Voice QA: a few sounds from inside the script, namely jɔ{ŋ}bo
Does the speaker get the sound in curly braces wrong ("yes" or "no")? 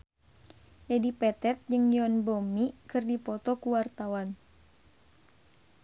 yes